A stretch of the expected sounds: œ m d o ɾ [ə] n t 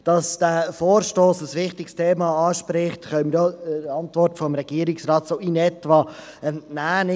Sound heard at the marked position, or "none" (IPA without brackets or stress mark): ɑ